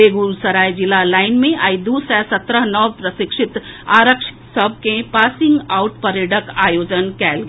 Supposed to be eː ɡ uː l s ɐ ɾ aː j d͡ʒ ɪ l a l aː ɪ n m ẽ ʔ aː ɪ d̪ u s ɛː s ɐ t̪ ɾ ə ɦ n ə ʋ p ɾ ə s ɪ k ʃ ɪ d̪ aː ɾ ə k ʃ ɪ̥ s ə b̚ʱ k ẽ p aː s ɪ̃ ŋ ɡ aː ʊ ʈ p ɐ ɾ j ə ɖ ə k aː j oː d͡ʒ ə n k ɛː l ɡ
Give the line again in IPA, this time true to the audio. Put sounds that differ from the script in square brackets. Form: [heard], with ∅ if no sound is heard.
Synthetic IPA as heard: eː ɡ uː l s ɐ ɾ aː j d͡ʒ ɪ l a l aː ɪ n m ẽ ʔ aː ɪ d̪ u s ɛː s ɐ t̪ ɾ ə ɦ n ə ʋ p ɾ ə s ɪ k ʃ ɪ [t̪] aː ɾ ə k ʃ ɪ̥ s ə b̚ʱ k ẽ p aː s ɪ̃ ŋ ɡ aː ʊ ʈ p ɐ ɾ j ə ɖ ə k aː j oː d͡ʒ ə n k ɛː l ɡ